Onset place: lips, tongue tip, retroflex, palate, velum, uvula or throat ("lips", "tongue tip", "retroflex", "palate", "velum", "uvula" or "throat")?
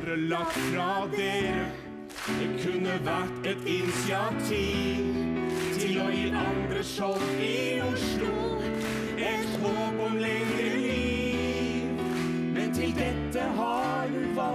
tongue tip